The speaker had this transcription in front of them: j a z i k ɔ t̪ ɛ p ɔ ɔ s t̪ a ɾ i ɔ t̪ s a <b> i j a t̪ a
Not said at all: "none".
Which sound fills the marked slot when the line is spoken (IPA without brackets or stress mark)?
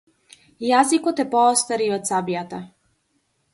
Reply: b